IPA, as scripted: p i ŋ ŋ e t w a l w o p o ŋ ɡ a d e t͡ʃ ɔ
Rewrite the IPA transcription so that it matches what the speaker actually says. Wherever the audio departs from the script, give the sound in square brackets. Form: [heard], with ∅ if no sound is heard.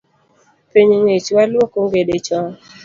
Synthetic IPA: p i [ɲ] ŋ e [t͡ʃ] w a l w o [k] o ŋ ɡ [e] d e t͡ʃ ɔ